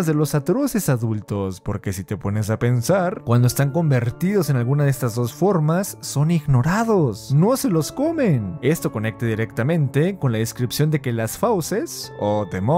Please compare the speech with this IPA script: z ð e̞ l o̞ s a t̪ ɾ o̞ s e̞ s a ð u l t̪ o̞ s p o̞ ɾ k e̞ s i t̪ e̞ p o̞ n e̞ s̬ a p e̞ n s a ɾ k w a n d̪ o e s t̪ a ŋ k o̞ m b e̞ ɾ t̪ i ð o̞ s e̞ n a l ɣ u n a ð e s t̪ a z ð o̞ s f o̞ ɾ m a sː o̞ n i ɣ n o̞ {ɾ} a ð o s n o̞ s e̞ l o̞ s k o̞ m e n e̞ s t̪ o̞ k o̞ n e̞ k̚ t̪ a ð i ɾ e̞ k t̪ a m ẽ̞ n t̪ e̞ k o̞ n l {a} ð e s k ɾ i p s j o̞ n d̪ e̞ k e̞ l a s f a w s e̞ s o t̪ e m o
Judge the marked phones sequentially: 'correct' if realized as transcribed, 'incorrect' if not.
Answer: correct, correct

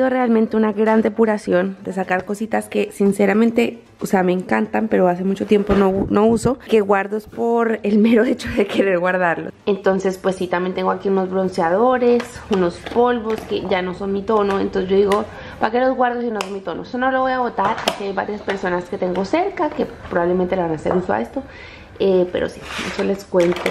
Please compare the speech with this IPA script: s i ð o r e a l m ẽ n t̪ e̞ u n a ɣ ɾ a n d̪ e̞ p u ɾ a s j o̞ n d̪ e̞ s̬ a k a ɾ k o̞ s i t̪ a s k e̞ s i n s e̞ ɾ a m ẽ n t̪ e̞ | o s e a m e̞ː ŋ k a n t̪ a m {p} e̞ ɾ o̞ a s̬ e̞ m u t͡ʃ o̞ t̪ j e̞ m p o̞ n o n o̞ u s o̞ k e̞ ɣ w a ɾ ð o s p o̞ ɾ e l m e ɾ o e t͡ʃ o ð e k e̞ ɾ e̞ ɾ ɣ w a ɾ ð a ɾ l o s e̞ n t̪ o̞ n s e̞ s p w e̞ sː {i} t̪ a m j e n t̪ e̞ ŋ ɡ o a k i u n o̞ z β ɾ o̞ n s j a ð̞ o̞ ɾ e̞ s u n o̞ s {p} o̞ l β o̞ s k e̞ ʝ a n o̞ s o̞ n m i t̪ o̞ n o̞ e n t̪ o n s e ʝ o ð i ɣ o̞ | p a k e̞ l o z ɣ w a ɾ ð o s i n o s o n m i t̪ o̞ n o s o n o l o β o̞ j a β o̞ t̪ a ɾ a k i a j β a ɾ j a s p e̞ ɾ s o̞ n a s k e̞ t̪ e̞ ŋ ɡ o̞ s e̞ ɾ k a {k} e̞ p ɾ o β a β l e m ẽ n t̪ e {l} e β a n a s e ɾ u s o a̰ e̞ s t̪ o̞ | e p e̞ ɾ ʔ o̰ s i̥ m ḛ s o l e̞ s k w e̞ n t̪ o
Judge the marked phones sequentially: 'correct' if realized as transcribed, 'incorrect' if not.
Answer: correct, correct, correct, correct, correct

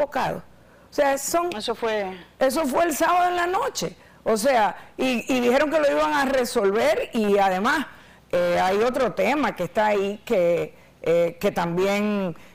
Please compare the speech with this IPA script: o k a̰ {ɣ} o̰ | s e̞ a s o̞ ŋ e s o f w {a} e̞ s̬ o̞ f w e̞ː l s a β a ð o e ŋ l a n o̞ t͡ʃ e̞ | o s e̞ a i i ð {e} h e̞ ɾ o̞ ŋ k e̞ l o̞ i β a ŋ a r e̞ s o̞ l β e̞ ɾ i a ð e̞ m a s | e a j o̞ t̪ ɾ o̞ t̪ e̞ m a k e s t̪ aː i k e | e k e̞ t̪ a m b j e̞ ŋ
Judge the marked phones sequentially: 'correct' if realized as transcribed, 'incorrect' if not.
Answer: incorrect, incorrect, incorrect

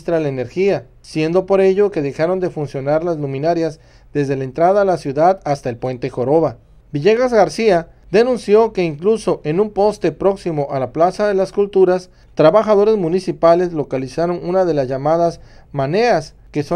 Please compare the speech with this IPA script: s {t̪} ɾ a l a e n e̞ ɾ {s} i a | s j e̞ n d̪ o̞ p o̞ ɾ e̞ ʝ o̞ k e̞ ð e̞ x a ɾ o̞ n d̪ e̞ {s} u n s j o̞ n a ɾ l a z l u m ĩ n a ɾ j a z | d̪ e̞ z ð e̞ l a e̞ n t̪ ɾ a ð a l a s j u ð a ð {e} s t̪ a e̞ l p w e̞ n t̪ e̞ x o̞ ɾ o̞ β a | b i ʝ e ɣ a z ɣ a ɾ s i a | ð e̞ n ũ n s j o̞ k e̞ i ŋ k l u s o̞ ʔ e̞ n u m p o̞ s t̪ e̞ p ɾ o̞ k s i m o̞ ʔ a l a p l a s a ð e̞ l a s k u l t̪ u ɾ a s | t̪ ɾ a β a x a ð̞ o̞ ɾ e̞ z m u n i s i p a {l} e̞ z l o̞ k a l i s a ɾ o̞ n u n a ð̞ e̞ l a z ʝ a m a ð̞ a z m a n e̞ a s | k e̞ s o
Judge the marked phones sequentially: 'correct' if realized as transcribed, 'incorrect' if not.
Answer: correct, incorrect, incorrect, incorrect, correct

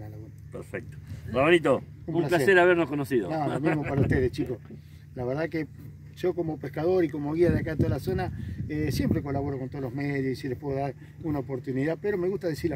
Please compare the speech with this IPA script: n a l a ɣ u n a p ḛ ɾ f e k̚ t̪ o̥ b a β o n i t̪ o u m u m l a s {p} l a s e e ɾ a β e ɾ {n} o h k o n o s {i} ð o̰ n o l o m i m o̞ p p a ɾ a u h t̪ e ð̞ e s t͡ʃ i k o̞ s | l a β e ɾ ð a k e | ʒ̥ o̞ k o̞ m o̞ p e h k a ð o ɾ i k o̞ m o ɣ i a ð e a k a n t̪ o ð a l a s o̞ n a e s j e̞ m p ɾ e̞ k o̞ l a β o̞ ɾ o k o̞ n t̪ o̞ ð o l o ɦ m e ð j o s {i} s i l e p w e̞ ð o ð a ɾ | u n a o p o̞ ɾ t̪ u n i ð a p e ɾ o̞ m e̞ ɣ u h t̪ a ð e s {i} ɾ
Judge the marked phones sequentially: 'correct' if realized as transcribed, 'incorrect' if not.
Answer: correct, correct, correct, correct, correct

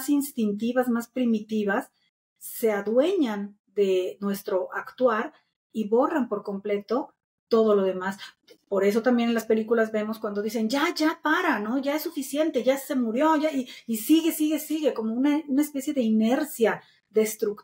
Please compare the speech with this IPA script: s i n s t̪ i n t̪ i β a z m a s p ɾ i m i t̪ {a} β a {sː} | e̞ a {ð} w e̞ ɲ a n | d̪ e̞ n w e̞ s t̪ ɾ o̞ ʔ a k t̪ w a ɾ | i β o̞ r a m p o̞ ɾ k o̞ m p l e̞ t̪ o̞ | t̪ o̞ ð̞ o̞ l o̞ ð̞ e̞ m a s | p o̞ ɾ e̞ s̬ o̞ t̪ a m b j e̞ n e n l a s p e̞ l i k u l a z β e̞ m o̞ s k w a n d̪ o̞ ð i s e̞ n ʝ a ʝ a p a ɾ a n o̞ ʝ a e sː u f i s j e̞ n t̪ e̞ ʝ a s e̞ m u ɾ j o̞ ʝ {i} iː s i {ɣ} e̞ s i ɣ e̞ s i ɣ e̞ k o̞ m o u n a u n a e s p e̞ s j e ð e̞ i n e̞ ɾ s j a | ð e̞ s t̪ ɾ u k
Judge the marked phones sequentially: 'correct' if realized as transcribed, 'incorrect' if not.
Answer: incorrect, correct, correct, incorrect, correct

